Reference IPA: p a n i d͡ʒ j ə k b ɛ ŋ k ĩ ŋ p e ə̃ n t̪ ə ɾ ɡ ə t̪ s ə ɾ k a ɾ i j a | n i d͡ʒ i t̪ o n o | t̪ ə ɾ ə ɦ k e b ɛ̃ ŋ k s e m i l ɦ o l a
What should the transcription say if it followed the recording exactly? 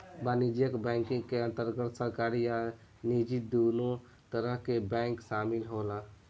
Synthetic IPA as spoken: b a n i d͡ʒ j ə k b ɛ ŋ k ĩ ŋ k e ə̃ n t̪ ə ɾ ɡ ə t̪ s ə ɾ k a ɾ i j a | n i d͡ʒ i d̪ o n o | t̪ ə ɾ ə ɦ k e b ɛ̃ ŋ k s a m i l ɦ o l a